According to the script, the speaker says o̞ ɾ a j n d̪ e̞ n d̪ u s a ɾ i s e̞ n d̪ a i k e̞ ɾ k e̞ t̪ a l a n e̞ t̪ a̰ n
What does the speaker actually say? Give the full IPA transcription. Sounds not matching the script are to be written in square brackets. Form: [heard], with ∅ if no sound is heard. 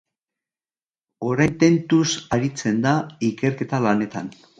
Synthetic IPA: o̞ ɾ a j n [t̪] e̞ n [t̪] u s a ɾ i [t͡s] e̞ n d̪ a i k e̞ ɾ k e̞ t̪ a l a n e̞ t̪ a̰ n